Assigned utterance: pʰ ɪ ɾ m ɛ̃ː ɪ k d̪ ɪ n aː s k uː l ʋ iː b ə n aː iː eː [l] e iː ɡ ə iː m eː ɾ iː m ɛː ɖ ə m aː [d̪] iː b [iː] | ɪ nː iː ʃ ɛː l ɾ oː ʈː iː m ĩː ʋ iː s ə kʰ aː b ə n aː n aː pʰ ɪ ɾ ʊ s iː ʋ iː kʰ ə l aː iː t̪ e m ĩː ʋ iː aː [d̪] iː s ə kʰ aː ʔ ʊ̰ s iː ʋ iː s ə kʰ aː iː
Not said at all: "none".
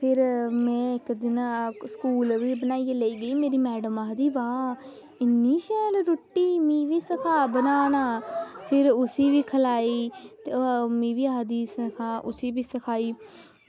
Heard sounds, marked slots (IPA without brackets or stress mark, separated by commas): l, d̪, aː, d̪